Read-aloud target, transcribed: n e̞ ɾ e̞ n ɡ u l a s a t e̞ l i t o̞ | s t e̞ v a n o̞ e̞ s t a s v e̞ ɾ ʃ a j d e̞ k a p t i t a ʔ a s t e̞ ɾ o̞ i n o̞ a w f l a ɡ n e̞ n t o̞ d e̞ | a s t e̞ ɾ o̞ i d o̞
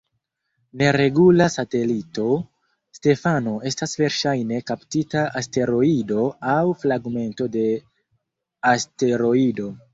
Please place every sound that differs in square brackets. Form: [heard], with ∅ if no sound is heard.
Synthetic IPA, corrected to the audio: n e̞ ɾ e̞ [∅] ɡ u l a s a t e̞ l i t o̞ | s t e̞ [f] a n o̞ e̞ s t a s v e̞ ɾ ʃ a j [n] e̞ k a p t i t a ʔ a s t e̞ ɾ o̞ i [d] o̞ a w f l a ɡ [m] e̞ n t o̞ d e̞ | a s t e̞ ɾ o̞ i d o̞